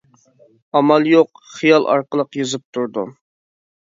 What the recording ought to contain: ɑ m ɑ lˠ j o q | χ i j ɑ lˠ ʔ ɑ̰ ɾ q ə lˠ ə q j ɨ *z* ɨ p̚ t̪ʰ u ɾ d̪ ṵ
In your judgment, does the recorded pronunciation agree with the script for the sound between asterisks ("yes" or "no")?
yes